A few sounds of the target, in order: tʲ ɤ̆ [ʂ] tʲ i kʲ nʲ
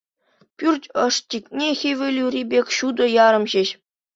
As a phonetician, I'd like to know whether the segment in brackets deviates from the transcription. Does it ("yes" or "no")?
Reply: no